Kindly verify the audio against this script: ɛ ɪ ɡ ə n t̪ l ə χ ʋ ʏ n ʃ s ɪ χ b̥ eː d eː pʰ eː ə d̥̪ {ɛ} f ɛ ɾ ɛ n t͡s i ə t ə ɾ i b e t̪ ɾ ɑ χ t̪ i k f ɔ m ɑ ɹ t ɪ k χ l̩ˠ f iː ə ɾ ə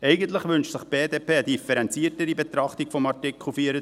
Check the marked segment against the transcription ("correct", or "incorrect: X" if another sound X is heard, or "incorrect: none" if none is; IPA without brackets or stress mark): incorrect: i